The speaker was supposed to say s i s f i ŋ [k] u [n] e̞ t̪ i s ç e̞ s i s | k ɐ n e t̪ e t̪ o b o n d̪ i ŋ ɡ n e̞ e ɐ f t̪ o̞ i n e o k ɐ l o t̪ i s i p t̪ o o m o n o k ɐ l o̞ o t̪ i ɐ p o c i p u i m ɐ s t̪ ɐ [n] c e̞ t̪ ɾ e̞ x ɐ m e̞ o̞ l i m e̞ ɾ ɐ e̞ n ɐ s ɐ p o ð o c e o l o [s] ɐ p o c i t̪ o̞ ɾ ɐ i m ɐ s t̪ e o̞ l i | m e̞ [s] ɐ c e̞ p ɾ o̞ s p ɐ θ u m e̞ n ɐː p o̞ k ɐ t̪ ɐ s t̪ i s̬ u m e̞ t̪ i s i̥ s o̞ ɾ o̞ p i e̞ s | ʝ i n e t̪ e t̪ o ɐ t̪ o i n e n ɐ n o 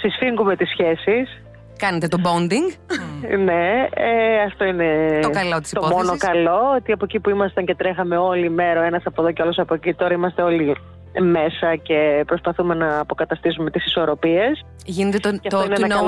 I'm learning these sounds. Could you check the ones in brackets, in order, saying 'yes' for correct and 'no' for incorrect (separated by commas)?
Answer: no, no, no, yes, yes